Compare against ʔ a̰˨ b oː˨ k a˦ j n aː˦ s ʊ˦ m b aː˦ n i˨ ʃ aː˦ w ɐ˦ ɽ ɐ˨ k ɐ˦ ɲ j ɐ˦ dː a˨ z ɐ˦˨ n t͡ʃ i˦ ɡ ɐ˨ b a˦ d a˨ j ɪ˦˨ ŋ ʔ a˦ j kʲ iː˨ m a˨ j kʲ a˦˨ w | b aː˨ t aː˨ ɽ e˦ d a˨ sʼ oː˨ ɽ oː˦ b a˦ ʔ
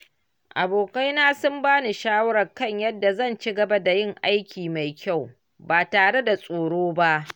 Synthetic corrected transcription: ʔ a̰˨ b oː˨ k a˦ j n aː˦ s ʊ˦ m b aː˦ n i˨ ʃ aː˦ w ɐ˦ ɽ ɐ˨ k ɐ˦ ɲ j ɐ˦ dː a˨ z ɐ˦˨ n t͡ʃ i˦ ɡ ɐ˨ b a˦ d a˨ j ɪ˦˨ ŋ ʔ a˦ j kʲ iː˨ m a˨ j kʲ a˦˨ w | b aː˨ t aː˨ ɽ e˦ d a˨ sʼ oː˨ ɽ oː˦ b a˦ ʔ